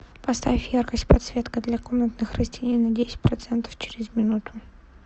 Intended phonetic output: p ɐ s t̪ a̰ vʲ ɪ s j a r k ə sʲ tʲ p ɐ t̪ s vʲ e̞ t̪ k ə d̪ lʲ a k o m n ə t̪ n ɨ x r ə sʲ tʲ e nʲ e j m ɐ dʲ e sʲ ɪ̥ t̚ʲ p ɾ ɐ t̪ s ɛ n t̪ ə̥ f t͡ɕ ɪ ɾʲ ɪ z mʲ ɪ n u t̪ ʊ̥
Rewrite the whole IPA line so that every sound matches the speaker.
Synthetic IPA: p ɐ s t̪ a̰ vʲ ɪ f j a r k ə sʲ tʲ p ɐ t̪ s vʲ e̞ t̪ k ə d̪ lʲ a k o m n ə t̪ n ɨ x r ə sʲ tʲ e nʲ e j n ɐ dʲ e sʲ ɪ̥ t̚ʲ p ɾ ɐ t̪ s ɛ n t̪ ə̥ f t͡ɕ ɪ ɾʲ ɪ z mʲ ɪ n u t̪ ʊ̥

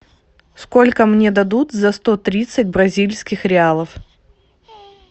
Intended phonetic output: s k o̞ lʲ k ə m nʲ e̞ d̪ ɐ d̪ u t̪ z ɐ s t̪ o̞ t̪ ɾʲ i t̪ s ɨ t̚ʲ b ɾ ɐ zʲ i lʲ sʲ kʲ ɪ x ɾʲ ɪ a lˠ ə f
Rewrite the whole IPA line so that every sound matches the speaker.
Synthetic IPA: s k o̞ lʲ k ə m nʲ e̞ d̪ ɐ d̪ u t̪ z ɐ s t̪ o̞ t̪ ɾʲ i t̪ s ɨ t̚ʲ b ɾ ɐ zʲ i lʲ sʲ kʲ ɪ x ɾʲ ɪ a lˠ ə f

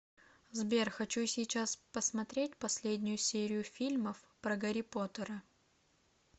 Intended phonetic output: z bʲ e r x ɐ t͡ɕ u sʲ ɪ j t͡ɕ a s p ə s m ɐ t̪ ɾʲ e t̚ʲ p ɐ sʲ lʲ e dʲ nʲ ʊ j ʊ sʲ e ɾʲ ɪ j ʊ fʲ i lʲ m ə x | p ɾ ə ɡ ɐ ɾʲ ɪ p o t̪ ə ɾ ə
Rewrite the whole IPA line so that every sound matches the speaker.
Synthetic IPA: z bʲ e r x ɐ t͡ɕ u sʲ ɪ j t͡ɕ a s p ə s m ɐ t̪ ɾʲ e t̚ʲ p ɐ sʲ lʲ e dʲ nʲ ʊ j ʊ sʲ e ɾʲ ɪ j ʊ fʲ i lʲ m ə f | p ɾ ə ɡ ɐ ɾʲ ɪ p o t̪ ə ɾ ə

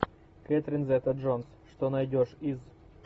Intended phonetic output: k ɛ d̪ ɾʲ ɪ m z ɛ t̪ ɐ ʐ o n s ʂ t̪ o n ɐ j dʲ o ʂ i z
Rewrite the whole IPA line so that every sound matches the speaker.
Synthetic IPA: k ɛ t̪ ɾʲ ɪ n z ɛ t̪ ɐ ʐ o n s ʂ t̪ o n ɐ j dʲ o ʂ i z

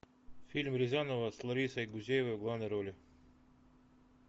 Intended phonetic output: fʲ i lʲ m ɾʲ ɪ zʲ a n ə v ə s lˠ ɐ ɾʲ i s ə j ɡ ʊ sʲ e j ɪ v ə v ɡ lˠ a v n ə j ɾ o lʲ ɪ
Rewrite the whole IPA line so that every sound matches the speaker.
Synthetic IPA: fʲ i lʲ m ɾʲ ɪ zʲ a n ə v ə s lˠ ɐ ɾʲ i s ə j ɡ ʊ zʲ e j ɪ v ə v ɡ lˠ a v n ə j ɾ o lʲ ɪ

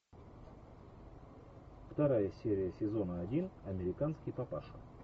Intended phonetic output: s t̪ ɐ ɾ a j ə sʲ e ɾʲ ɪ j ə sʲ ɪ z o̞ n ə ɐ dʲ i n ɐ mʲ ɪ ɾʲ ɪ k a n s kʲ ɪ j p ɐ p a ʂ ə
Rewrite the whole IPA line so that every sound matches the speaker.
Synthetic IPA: f t̪ ɐ ɾ a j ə sʲ e ɾʲ ɪ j ə sʲ ɪ z o̞ n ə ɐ dʲ i n ɐ mʲ ɪ ɾʲ ɪ k a n s kʲ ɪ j p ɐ p a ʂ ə

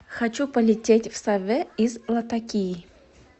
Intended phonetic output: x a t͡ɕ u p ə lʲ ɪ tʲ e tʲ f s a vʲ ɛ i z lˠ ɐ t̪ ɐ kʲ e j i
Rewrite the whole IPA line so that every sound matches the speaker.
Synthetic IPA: x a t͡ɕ u p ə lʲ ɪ tʲ e tʲ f s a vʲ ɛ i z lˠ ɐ t̪ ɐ kʲ i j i

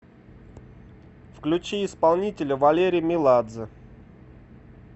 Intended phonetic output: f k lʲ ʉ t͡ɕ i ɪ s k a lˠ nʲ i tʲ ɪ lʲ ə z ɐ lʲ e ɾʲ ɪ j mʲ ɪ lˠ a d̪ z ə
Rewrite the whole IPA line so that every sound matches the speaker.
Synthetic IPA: f k lʲ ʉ t͡ɕ i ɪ s p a lˠ nʲ i tʲ ɪ lʲ ə v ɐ lʲ e ɾʲ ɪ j mʲ ɪ lˠ a d̪ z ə

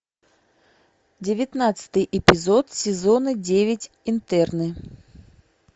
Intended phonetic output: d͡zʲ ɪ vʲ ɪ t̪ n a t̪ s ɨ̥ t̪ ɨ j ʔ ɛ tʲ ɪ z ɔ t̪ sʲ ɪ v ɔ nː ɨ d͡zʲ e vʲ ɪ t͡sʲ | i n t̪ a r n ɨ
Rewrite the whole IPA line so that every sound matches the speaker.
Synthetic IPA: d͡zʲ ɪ vʲ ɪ t̪ n a t̪ s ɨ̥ t̪ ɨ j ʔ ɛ pʲ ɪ z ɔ t̪ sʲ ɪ z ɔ n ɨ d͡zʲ e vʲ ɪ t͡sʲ | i n t̪ ɛ r n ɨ

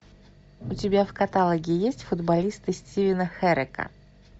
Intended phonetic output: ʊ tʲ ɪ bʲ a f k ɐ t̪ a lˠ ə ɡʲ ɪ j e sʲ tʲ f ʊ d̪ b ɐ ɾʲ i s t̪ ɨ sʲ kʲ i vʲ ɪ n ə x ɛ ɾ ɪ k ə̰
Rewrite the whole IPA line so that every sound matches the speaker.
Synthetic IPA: ʊ tʲ ɪ bʲ a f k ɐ t̪ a lˠ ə ɡʲ ɪ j e sʲ tʲ f ʊ d̪ b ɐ lʲ i s t̪ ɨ sʲ tʲ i vʲ ɪ n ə x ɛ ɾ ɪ k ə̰

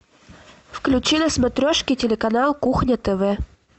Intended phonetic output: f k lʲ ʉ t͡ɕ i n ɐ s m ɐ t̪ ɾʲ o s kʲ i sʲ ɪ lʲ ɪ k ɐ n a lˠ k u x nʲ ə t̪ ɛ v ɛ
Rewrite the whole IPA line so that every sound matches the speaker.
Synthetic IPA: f k lʲ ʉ t͡ɕ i n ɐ s m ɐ t̪ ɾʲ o ʂ kʲ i tʲ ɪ lʲ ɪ k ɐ n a lˠ k u x nʲ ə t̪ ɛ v ɛ

